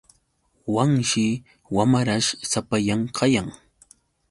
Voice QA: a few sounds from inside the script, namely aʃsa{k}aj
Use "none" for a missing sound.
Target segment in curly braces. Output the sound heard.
p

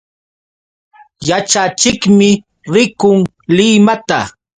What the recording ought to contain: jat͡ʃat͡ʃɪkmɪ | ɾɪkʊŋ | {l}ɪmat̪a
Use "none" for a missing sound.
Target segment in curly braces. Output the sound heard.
l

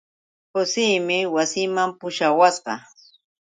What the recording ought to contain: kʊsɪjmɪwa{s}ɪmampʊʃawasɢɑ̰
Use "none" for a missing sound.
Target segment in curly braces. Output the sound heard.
s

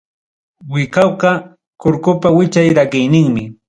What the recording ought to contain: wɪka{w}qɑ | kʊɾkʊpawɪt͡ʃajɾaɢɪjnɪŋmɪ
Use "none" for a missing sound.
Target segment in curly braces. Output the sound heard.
w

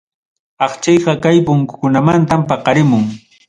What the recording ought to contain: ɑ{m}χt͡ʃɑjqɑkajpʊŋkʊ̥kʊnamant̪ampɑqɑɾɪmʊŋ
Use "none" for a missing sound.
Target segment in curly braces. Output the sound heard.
none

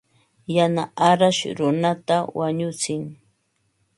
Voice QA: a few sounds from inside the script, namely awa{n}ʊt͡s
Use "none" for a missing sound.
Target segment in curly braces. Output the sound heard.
ɲ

